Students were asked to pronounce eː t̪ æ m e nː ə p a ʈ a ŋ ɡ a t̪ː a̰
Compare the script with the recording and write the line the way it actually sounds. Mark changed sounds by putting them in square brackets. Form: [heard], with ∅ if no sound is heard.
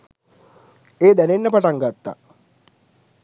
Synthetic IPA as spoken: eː [d̪] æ [n] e nː ə p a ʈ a ŋ ɡ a t̪ː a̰

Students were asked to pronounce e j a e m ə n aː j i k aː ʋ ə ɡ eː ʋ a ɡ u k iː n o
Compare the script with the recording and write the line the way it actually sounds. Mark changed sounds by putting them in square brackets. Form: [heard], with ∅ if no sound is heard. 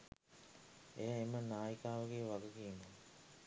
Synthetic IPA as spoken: e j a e m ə n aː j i k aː ʋ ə ɡ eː ʋ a ɡ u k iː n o

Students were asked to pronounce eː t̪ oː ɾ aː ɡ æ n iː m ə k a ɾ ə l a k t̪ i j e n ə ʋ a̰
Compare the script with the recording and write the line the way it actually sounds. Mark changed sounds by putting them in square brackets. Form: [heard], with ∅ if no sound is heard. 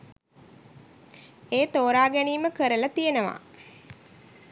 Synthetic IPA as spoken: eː t̪ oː ɾ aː ɡ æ n iː m ə k [ə] ɾ ə l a [∅] t̪ i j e n ə ʋ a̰

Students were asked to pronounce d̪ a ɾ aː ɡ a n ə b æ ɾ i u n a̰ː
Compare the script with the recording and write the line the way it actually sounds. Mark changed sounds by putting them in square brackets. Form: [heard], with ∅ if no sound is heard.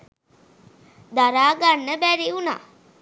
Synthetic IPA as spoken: d̪ a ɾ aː ɡ a [nː] ə b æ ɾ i u n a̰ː

